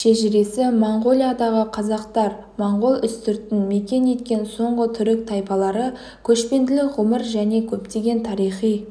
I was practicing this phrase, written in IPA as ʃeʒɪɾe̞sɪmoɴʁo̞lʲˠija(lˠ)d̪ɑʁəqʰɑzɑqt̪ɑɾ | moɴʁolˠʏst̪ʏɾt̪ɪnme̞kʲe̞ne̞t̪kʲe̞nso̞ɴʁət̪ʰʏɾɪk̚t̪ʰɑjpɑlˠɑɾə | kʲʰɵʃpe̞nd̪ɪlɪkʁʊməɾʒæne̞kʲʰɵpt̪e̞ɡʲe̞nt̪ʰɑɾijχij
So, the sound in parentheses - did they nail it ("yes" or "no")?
no